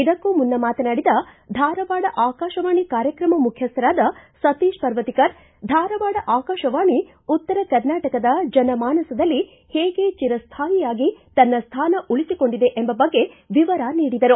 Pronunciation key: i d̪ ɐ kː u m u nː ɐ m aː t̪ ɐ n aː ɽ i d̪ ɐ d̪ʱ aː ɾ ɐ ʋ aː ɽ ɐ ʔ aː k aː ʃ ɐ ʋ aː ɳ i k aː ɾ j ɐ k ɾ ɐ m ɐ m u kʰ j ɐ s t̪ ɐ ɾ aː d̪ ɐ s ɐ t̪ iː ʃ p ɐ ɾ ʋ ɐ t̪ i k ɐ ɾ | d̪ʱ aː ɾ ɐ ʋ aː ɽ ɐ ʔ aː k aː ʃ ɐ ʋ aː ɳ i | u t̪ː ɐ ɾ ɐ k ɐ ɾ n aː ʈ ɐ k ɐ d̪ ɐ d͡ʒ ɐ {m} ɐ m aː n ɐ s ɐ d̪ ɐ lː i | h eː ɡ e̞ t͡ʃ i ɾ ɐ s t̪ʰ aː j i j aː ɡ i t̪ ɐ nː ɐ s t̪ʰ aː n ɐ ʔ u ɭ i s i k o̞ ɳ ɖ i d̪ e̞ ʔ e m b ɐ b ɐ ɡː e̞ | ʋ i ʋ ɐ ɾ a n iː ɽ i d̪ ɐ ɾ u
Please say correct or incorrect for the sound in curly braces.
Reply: incorrect